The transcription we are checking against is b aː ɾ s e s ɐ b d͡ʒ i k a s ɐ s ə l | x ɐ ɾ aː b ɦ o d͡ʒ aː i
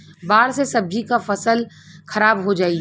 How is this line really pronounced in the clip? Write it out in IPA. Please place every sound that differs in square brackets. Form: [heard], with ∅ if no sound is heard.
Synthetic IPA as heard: b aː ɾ s e s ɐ b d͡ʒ i k a [f] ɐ s ə l | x ɐ ɾ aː b ɦ o d͡ʒ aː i